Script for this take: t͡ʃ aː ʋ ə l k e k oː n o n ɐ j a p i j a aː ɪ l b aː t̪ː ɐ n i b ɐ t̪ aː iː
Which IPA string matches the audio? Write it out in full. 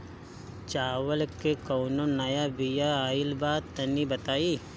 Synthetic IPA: t͡ʃ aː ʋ ə l k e k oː n o n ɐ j a b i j a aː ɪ l b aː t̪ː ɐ n i b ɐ t̪ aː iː